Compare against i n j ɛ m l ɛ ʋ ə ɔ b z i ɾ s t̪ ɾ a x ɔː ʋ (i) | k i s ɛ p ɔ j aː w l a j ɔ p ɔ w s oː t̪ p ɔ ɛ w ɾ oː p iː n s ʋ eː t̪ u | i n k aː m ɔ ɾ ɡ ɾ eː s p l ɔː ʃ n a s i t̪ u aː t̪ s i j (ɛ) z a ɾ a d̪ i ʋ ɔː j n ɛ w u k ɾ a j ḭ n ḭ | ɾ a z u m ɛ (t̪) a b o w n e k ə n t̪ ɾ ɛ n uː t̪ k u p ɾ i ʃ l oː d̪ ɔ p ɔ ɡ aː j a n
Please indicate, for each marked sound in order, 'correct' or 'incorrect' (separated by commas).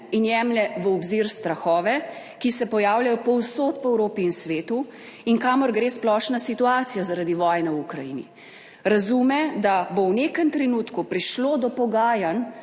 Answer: incorrect, incorrect, incorrect